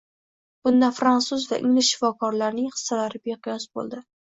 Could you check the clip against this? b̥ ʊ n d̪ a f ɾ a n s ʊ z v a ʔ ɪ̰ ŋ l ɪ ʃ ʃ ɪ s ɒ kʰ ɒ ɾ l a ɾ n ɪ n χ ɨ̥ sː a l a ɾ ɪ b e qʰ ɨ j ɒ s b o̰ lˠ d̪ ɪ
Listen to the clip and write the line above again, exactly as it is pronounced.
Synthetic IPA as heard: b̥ ʊ n d̪ a f ɾ a n s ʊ z v a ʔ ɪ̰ ŋ l ɪ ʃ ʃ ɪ f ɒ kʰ ɒ ɾ l a ɾ n ɪ ŋ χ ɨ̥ sː a l a ɾ ɪ b e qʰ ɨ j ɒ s b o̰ lˠ d̪ ɪ